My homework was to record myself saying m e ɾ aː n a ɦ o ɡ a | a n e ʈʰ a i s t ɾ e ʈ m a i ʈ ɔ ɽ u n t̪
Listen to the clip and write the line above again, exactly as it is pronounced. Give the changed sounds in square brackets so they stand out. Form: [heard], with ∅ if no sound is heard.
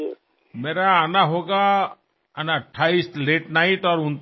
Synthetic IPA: m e ɾ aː n a ɦ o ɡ a | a n [a] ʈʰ a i s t [l] e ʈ [n] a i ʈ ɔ [ɾ] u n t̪